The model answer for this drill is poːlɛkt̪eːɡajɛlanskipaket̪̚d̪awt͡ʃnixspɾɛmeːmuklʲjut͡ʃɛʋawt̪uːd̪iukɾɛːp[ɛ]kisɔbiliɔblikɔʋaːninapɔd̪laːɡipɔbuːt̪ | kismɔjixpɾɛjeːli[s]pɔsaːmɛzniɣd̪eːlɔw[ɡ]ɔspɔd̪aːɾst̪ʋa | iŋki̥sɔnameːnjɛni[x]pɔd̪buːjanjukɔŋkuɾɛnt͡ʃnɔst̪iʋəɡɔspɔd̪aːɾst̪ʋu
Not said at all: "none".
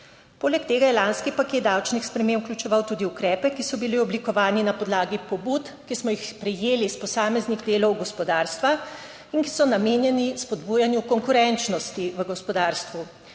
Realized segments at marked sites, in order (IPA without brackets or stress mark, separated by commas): ɛ, s, ɡ, s